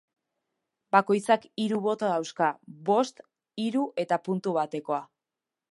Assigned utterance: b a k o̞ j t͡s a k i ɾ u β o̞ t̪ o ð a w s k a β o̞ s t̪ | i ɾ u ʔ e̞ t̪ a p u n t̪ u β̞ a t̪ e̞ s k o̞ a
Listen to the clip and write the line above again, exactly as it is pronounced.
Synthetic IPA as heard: b a k o̞ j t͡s a k i ɾ u β o̞ t̪ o ð a w s k a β o̞ s t̪ | i ɾ u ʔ e̞ t̪ a p u n t̪ u β̞ a t̪ e̞ k o̞ a